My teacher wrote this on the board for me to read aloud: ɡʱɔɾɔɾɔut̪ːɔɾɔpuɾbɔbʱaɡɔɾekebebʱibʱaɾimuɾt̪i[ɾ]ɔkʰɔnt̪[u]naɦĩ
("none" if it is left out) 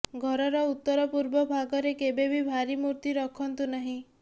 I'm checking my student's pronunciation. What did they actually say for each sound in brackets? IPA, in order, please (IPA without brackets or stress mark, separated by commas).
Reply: ɾ, u